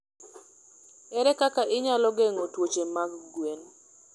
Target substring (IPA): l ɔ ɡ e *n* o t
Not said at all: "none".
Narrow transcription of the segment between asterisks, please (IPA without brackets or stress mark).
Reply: ŋ